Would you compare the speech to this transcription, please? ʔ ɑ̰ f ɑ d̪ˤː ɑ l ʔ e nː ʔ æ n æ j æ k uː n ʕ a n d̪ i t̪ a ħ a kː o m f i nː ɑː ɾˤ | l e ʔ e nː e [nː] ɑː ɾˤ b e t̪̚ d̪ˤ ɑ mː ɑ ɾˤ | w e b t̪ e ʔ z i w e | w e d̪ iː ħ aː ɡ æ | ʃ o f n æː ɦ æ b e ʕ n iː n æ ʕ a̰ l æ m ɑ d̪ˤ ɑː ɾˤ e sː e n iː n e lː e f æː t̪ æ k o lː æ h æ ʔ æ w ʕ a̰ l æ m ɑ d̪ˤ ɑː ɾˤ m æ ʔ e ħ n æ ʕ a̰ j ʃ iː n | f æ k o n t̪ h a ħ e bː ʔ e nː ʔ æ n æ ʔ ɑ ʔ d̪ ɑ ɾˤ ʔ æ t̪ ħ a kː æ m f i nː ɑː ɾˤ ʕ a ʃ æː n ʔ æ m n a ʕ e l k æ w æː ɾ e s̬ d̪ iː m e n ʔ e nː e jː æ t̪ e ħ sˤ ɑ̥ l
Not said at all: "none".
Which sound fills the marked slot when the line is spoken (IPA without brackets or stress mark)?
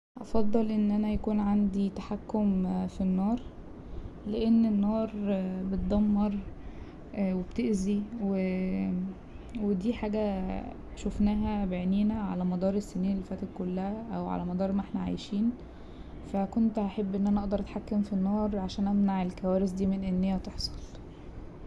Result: nː